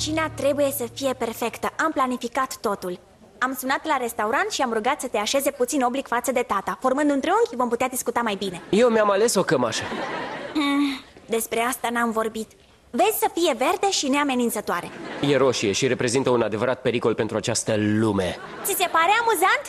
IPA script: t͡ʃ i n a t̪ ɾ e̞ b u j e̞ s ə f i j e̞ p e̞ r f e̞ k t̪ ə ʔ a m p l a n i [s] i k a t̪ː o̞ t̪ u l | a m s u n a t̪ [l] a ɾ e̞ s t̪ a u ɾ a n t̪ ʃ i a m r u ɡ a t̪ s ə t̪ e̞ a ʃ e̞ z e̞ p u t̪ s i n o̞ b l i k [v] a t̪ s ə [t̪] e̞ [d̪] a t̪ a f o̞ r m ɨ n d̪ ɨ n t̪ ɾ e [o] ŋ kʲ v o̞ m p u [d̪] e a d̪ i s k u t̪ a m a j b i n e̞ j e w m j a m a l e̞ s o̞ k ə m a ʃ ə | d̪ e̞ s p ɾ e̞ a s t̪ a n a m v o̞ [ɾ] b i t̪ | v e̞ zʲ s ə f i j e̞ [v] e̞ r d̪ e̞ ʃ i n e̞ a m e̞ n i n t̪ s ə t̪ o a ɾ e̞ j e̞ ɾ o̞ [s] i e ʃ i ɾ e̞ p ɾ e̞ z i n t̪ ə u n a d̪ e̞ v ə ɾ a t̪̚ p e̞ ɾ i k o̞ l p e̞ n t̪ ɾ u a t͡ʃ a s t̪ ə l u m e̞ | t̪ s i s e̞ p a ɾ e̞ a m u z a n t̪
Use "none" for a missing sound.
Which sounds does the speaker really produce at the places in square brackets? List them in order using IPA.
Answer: f, l, f, d̪, t̪, u, t̪, r, v, ʃ

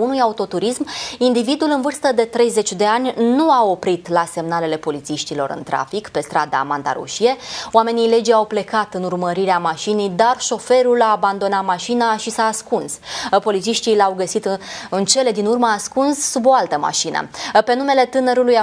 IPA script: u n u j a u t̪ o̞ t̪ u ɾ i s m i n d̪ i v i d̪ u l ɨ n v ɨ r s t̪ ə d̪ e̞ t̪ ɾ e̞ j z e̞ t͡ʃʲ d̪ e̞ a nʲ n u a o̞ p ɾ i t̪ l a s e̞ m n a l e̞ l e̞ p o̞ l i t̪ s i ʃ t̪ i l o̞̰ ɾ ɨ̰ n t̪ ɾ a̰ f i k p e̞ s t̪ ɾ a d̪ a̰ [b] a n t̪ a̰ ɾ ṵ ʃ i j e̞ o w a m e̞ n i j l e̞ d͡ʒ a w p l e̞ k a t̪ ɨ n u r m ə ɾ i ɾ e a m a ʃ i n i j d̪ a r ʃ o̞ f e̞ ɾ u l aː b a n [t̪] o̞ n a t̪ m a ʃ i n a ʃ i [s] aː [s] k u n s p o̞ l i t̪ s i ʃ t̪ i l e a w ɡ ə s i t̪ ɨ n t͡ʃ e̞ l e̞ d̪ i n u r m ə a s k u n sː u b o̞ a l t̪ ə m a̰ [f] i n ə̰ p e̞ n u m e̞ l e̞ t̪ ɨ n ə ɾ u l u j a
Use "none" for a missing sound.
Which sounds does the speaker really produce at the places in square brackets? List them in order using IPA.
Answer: m, d̪, s, s, ʃ

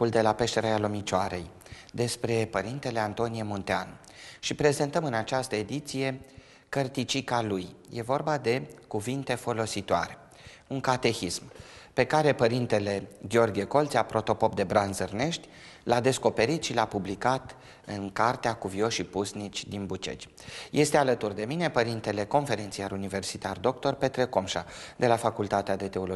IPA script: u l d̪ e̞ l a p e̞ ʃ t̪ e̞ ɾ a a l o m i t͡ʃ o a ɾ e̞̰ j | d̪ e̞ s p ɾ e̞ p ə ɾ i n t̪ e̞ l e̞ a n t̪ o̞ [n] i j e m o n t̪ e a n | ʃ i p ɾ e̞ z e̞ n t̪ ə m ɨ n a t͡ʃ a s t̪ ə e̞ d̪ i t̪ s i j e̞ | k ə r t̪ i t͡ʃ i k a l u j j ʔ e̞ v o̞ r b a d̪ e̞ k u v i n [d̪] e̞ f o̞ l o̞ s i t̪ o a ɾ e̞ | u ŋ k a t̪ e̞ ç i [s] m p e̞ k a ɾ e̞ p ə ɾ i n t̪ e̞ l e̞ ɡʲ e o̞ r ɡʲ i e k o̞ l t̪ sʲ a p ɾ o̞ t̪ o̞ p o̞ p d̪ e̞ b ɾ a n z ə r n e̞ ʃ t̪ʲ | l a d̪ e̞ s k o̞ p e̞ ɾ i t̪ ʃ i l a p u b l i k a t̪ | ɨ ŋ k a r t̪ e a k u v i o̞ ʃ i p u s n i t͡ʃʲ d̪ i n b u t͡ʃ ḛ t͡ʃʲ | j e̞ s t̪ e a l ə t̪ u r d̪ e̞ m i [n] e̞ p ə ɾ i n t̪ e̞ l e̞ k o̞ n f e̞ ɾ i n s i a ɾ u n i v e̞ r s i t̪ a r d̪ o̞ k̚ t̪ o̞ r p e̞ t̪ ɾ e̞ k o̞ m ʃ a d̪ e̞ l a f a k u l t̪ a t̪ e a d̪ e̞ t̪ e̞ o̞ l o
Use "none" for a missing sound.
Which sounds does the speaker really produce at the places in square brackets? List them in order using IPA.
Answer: n, t̪, s, n

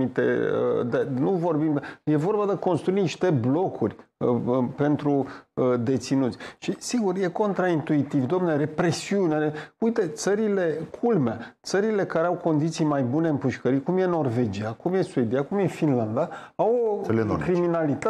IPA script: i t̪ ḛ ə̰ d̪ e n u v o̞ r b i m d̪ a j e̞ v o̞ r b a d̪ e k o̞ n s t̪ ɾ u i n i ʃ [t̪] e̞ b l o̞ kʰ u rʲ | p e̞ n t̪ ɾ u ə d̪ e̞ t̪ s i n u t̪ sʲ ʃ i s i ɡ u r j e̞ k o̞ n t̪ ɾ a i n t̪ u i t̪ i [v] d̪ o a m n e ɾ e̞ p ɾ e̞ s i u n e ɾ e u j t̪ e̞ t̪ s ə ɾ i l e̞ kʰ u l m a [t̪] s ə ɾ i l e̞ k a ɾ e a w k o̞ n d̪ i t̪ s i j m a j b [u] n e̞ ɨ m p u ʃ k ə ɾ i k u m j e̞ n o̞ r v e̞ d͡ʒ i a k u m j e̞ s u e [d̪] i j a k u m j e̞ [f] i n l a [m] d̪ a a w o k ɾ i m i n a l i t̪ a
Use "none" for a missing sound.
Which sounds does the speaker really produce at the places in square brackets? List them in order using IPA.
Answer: t̪, v, t̪, u, d̪, f, n

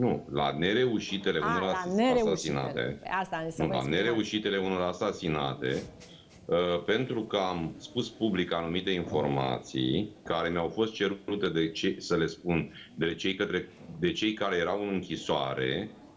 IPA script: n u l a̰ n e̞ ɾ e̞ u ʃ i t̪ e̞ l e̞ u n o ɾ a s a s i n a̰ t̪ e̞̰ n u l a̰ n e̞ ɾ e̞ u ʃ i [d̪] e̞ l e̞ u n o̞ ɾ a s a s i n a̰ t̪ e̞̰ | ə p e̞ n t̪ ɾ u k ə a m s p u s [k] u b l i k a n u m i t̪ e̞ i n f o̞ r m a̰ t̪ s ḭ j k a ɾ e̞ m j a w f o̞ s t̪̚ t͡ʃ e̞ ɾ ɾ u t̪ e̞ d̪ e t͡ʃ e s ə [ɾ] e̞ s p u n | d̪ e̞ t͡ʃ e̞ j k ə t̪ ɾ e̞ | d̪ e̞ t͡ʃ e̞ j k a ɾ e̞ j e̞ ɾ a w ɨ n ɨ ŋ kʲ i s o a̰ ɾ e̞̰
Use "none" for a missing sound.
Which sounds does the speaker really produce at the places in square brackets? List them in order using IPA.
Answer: t̪, p, l

